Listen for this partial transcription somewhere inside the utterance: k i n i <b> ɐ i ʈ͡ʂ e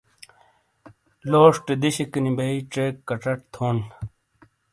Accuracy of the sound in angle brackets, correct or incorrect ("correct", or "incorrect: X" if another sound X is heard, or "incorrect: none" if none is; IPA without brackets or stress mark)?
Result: correct